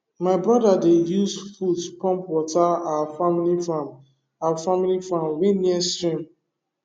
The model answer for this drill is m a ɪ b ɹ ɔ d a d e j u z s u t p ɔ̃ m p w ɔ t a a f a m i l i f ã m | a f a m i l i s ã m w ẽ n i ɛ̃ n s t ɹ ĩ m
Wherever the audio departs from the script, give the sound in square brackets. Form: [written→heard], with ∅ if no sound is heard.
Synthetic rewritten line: m a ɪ b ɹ ɔ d a d e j u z [s→f] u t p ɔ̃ m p w ɔ t a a f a m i l i f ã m | a f a m i l i [s→f] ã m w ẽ n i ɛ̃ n s t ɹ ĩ m